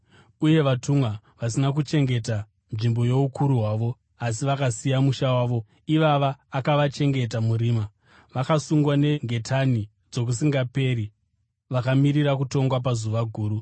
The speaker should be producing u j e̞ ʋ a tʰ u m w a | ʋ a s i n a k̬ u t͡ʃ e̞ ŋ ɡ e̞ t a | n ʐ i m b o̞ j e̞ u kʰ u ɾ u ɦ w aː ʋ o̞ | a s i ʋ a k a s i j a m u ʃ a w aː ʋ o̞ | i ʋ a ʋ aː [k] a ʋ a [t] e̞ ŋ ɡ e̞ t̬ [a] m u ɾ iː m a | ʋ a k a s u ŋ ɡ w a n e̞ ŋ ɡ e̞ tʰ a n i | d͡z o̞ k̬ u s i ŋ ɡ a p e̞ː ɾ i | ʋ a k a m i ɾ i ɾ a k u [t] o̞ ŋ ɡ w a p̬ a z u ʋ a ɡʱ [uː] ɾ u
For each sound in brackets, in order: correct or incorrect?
correct, incorrect: t͡ʃ, correct, correct, correct

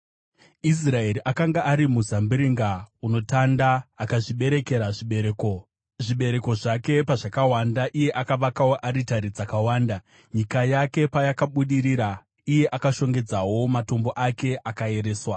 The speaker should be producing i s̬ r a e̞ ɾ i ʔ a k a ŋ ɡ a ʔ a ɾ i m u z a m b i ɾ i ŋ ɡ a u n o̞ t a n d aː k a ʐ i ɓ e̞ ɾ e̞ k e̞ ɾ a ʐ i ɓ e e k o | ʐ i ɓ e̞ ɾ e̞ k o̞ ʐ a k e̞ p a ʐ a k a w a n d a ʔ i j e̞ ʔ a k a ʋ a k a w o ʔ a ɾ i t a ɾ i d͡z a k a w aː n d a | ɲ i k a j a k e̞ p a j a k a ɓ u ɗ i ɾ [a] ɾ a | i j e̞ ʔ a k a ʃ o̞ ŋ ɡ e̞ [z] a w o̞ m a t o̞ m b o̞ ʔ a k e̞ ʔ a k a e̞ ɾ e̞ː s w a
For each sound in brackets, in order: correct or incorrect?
incorrect: i, incorrect: d͡z

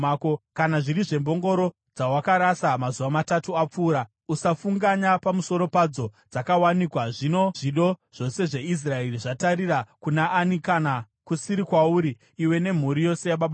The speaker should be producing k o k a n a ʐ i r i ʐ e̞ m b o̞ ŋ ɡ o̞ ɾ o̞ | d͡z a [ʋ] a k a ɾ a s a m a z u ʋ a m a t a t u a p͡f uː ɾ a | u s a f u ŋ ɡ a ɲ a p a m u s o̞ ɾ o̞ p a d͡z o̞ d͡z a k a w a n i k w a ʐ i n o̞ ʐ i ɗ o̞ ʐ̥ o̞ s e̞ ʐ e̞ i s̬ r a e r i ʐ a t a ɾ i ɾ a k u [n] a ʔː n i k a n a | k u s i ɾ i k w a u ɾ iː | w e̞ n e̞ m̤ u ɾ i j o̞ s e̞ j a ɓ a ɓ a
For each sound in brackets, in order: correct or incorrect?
incorrect: w, correct

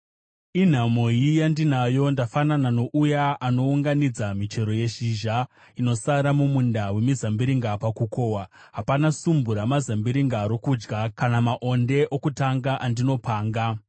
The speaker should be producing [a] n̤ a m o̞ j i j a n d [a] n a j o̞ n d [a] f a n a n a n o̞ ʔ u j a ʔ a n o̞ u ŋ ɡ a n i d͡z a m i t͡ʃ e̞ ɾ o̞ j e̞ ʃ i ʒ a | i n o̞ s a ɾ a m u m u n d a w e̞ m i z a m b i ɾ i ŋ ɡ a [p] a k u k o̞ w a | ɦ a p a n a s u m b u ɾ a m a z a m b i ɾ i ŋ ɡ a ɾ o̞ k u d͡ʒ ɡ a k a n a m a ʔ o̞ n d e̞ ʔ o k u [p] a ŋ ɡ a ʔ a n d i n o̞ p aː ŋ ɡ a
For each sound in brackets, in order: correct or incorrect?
incorrect: i, incorrect: i, correct, correct, incorrect: t

